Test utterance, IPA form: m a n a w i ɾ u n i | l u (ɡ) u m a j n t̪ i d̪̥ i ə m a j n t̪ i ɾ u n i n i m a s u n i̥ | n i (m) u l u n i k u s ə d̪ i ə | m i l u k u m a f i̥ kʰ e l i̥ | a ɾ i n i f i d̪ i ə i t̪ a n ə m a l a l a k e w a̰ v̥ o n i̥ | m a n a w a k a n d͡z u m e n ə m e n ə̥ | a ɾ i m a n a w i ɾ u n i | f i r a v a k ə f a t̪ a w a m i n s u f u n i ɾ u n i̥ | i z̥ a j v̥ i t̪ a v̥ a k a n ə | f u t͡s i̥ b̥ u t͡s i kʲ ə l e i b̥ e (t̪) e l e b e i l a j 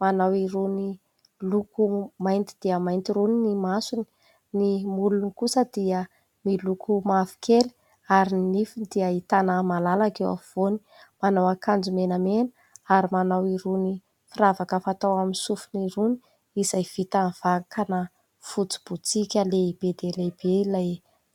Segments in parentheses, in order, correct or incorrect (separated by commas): incorrect, correct, incorrect